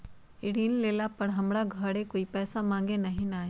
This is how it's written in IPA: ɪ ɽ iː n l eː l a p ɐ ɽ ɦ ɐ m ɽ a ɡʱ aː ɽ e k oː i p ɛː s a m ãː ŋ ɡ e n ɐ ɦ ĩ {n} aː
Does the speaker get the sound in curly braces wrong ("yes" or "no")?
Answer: no